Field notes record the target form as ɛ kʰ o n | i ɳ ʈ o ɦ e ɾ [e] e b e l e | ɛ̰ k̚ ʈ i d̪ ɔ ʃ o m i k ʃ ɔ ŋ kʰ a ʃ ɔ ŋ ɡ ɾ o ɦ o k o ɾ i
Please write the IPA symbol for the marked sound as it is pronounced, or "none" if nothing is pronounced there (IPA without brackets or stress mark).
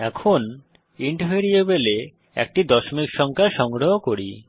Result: i